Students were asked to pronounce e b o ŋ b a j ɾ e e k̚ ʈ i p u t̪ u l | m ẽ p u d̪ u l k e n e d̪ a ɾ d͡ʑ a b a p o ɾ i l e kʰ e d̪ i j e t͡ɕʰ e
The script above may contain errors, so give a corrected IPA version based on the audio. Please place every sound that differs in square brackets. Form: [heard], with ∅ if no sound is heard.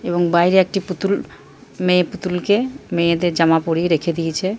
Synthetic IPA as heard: e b o ŋ b a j ɾ e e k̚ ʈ i p u t̪ u l | m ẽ p u [t̪] u l k e [m] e d̪ [e] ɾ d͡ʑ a [m] a p o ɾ i [ɾ] e kʰ e d̪ i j e t͡ɕʰ e

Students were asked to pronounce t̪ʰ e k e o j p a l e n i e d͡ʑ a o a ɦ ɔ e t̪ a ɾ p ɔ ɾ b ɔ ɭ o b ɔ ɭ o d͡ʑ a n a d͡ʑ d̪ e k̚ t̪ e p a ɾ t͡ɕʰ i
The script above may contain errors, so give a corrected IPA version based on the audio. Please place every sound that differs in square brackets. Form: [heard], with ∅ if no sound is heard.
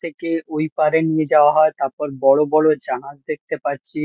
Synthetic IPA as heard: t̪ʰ e k e o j p a [ɾ] e n i e d͡ʑ a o a ɦ ɔ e t̪ a ɾ p ɔ ɾ b ɔ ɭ o b ɔ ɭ o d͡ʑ a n a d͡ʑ d̪ e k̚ t̪ e p a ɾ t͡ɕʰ i

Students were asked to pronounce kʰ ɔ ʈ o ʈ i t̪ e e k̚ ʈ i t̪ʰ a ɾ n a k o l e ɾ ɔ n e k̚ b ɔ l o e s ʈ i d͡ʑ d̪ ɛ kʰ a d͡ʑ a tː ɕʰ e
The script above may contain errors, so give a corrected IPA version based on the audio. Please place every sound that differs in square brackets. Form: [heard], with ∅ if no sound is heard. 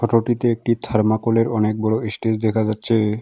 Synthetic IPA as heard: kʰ ɔ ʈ o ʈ i t̪ e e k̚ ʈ i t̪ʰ a ɾ [m] a k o l e ɾ ɔ n e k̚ b ɔ [ɽ] o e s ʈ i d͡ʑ d̪ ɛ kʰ a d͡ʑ a tː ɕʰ e

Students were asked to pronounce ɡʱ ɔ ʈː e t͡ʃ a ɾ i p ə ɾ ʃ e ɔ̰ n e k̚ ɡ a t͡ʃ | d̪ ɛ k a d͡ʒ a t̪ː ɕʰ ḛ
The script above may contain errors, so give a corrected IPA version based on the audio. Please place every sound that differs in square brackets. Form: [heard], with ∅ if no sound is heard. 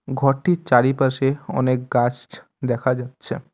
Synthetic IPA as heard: ɡʱ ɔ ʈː [i] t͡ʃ a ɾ i p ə ɾ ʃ e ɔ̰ n e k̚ ɡ a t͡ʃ | d̪ ɛ [kʰ] a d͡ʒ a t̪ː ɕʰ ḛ

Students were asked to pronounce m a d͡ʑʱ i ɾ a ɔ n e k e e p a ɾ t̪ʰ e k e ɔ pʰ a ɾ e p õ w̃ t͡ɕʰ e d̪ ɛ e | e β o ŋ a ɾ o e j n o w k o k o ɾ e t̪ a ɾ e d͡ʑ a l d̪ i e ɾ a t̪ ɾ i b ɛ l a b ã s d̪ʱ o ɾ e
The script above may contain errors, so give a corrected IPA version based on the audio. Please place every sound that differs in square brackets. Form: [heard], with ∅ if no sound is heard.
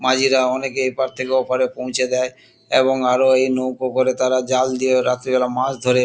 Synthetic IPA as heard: m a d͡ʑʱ i ɾ a ɔ n e k e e p a ɾ t̪ʰ e k e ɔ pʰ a ɾ e p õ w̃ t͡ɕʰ e d̪ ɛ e | e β o ŋ a ɾ o e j n o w k o k o ɾ e t̪ a ɾ [a] d͡ʑ a l d̪ i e ɾ a t̪ ɾ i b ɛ l a [m] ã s d̪ʱ o ɾ e

